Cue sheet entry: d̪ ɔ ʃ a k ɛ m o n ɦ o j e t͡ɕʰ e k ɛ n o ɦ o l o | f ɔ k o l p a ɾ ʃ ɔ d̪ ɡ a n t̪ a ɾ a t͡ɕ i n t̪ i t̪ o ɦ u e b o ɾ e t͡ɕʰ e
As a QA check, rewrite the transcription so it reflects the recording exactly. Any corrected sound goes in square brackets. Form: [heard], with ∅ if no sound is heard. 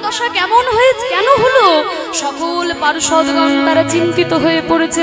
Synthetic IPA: d̪ ɔ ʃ a k ɛ m o n ɦ o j e t͡ɕʰ e k ɛ n o ɦ o l o | [ʃ] ɔ k o l p a ɾ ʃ ɔ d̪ ɡ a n t̪ a ɾ a t͡ɕ i n t̪ i t̪ o ɦ [o] e [p] o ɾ e t͡ɕʰ e